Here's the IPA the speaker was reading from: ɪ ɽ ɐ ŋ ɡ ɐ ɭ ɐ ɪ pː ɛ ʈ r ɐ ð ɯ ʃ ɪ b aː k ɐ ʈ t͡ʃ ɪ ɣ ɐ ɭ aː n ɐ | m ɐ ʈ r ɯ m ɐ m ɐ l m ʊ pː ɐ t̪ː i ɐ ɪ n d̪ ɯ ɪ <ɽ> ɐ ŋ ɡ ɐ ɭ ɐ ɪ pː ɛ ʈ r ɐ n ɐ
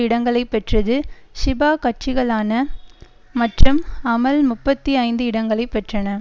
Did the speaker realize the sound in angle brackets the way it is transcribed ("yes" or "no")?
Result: yes